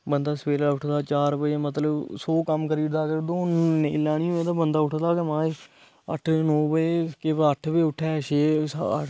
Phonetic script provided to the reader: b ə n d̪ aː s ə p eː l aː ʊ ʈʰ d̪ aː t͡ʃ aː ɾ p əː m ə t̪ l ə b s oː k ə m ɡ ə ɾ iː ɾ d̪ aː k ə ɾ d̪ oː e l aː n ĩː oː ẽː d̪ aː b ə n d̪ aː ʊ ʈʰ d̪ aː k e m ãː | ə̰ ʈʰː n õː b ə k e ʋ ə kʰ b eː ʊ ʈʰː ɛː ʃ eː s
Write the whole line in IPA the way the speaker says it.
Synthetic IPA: b ə n d̪ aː s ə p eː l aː ʊ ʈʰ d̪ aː t͡ʃ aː ɾ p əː m ə t̪ l ə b s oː k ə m k ə ɾ iː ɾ d̪ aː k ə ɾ d̪ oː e l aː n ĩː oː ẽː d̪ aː b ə n d̪ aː ʊ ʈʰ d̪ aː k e m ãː | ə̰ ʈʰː n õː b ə k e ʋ ə ʈʰ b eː ʊ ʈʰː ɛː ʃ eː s